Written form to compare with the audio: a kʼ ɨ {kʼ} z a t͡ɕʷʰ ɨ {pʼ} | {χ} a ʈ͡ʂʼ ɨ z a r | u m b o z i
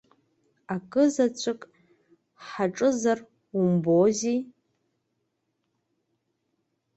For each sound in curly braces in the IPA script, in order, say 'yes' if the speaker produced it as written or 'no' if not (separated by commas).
no, no, no